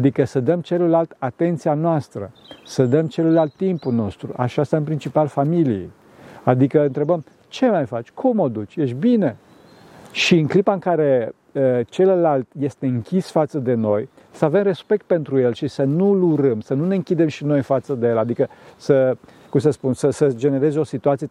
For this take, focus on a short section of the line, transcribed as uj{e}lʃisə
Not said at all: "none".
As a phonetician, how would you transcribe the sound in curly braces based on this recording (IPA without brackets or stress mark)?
e